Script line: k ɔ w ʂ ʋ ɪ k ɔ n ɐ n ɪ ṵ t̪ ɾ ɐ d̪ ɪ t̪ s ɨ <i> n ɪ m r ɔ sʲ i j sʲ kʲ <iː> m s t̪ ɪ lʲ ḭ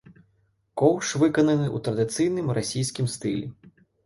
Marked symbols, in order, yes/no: no, no

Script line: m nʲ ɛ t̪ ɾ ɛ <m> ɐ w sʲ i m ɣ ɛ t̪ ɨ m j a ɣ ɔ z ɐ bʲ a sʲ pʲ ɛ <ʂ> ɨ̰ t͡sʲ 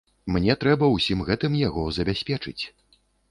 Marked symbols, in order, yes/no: no, no

